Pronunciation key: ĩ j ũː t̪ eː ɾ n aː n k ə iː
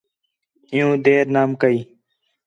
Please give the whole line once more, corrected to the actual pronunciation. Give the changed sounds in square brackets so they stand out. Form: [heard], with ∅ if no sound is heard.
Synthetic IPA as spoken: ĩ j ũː [d̪] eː ɾ n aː [m] k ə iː